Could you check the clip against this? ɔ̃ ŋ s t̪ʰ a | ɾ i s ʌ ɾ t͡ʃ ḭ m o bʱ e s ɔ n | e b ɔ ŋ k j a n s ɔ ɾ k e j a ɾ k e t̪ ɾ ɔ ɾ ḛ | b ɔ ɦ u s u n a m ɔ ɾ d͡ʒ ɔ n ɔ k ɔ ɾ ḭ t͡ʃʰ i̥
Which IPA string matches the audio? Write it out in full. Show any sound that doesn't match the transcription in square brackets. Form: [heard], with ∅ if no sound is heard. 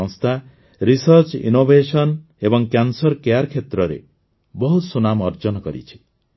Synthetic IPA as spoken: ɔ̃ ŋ s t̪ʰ a | ɾ i s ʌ ɾ t͡ʃ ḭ [n] o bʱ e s ɔ n | e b ɔ ŋ k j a n s ɔ ɾ k e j a ɾ [kʰ] e t̪ ɾ ɔ ɾ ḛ | b ɔ ɦ u s u n a m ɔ ɾ d͡ʒ ɔ n ɔ k ɔ ɾ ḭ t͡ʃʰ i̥

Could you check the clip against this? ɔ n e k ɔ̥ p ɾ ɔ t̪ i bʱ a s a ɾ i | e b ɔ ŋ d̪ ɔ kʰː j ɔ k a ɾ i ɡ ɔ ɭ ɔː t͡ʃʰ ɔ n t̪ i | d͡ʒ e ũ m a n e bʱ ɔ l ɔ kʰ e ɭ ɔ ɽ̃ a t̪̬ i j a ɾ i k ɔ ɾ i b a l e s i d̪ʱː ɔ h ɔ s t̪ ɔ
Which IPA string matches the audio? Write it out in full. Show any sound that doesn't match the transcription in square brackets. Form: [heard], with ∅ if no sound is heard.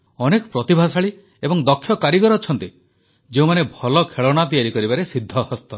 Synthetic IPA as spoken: ɔ n e k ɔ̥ p ɾ ɔ t̪ i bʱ a s a [ɭ] i | e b ɔ ŋ d̪ ɔ kʰː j ɔ k a ɾ i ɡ ɔ [ɾ] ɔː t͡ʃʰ ɔ n t̪ i | d͡ʒ e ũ m a n e bʱ ɔ l ɔ kʰ e ɭ ɔ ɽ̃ a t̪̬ i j a ɾ i k ɔ ɾ i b a [ɾ] e s i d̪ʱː ɔ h ɔ s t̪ ɔ

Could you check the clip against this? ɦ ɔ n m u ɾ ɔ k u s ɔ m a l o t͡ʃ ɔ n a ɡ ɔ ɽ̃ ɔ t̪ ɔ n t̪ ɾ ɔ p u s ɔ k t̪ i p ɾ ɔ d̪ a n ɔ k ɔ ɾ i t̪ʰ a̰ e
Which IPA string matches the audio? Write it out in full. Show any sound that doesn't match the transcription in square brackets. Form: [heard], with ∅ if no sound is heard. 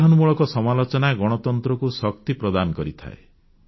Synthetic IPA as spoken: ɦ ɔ n m u [ɭ] ɔ k [ɔ] s ɔ m a l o t͡ʃ ɔ n a ɡ ɔ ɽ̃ ɔ t̪ ɔ n t̪ ɾ ɔ [k] u s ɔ k t̪ i p ɾ ɔ d̪ a n ɔ k ɔ ɾ i t̪ʰ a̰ e

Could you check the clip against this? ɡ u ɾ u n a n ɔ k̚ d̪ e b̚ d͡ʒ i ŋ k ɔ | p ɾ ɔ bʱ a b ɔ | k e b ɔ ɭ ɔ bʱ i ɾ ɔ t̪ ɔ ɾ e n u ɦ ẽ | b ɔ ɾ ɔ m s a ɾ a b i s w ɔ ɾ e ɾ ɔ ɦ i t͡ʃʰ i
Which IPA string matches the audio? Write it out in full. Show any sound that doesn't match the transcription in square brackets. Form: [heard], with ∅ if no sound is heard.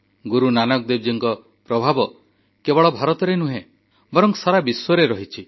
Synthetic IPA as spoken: ɡ u ɾ u n a n ɔ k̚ d̪ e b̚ d͡ʒ i ŋ k ɔ | p ɾ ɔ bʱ a b ɔ | k e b ɔ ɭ ɔ bʱ [a] ɾ ɔ t̪ ɔ ɾ e n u ɦ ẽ | b ɔ ɾ ɔ [ŋ] s a ɾ a b i s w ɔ ɾ e ɾ ɔ ɦ i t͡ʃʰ i

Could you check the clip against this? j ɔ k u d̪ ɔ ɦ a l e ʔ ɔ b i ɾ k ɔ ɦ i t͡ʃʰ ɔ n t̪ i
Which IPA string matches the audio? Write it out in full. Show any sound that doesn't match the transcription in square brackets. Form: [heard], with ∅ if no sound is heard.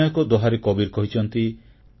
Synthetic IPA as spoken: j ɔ k [ɔ] d̪ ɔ ɦ a [ɾ] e [k] ɔ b i ɾ k ɔ ɦ i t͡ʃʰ ɔ n t̪ i

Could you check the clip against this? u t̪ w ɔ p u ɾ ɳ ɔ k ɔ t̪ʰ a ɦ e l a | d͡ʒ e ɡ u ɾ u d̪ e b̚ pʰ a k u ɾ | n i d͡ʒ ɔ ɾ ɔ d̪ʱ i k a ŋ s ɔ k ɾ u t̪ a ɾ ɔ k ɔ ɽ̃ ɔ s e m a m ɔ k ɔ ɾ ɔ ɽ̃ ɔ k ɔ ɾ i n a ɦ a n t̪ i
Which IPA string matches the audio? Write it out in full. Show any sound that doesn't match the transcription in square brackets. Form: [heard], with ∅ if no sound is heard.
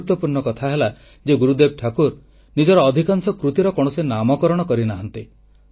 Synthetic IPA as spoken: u t̪ w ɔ p u ɾ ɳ ɔ k ɔ t̪ʰ a ɦ e l a | d͡ʒ e ɡ u ɾ u d̪ e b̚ [ʈʰ] a k u ɾ | n i d͡ʒ ɔ ɾ [ɔː] d̪ʱ i k a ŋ s ɔ k ɾ u t̪ [i] ɾ ɔ k ɔ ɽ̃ ɔ s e [n] a m ɔ k ɔ ɾ ɔ ɽ̃ ɔ k ɔ ɾ i n a ɦ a n t̪ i

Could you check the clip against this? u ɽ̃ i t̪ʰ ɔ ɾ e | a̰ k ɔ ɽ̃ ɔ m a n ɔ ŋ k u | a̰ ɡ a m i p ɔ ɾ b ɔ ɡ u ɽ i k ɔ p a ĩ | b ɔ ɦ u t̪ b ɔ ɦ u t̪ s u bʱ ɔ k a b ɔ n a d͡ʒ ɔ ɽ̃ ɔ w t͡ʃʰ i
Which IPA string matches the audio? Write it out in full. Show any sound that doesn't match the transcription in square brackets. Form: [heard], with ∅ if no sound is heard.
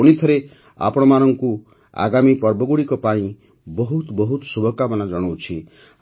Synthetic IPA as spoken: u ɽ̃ i t̪ʰ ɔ ɾ e | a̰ [p] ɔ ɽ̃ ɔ m a n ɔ ŋ k u | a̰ ɡ a m i p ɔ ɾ b ɔ ɡ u ɽ i k ɔ p a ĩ | b ɔ ɦ u t̪ b ɔ ɦ u t̪ s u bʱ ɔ k a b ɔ n a d͡ʒ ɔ ɽ̃ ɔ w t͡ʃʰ i

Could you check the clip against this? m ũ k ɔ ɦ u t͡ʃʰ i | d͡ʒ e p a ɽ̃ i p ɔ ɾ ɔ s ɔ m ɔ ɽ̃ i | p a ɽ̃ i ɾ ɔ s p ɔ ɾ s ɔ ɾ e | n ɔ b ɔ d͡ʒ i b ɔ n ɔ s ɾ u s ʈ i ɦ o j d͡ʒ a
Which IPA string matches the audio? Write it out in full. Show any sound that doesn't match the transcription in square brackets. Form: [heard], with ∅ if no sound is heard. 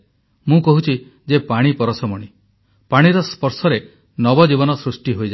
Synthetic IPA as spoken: m ũ k ɔ ɦ u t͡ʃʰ i | d͡ʒ e p a ɽ̃ i p ɔ ɾ ɔ s ɔ m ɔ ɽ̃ i | p a ɽ̃ i ɾ ɔ s p ɔ ɾ s ɔ ɾ e | n ɔ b ɔ d͡ʒ i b ɔ n ɔ s ɾ u s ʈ i ɦ o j d͡ʒ a

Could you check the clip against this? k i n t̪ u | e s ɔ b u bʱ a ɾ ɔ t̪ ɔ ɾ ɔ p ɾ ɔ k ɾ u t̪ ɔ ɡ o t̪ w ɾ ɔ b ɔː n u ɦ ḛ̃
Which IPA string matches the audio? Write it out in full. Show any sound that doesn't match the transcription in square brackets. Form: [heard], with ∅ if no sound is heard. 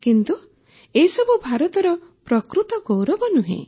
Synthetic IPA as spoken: k i n t̪ u | e s ɔ b u bʱ a ɾ ɔ t̪ ɔ ɾ ɔ p ɾ ɔ k ɾ u t̪ ɔ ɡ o [∅] w ɾ ɔ b [ɔ] n u ɦ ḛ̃

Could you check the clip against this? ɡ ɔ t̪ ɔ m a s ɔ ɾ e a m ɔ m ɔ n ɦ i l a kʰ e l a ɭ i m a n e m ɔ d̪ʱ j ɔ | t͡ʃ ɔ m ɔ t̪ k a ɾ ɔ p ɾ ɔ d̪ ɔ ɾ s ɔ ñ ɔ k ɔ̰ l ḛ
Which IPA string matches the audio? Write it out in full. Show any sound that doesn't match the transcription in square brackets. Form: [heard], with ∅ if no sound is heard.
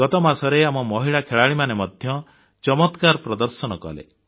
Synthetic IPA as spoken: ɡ ɔ t̪ ɔ m a s ɔ ɾ e a m ɔ m ɔ [∅] ɦ i [ɭ] a kʰ e [ɭ] a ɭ i m a n e m ɔ d̪ʱ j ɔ | t͡ʃ ɔ m ɔ t̪ k a ɾ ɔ p ɾ ɔ d̪ ɔ ɾ s ɔ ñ ɔ k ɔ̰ l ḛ

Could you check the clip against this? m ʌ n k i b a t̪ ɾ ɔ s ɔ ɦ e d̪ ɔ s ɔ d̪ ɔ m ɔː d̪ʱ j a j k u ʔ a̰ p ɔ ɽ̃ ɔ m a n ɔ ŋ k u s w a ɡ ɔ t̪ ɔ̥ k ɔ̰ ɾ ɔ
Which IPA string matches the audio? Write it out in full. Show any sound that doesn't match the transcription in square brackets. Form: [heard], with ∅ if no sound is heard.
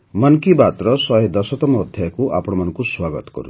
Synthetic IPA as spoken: m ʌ n k i b a t̪ ɾ ɔ s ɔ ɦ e d̪ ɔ s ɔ [t̪] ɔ m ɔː d̪ʱ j a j k u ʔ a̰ p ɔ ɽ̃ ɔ m a n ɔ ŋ k u s w a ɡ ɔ t̪ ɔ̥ k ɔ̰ ɾ [u]

